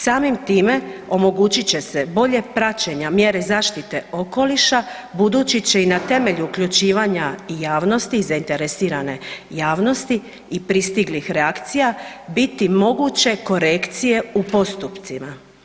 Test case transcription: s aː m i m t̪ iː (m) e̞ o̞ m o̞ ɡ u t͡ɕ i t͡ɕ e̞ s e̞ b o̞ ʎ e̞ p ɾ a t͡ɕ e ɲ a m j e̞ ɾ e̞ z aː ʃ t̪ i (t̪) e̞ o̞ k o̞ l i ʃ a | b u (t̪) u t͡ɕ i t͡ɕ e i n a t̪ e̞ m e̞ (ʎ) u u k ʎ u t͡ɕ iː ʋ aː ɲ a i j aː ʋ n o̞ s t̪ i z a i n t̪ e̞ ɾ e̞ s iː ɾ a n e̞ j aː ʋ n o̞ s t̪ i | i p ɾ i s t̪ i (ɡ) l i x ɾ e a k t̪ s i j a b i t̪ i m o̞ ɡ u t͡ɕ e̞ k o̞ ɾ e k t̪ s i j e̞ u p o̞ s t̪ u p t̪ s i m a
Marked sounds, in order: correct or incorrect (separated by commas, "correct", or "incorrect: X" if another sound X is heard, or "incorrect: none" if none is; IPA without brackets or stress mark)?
correct, correct, incorrect: d̪, correct, correct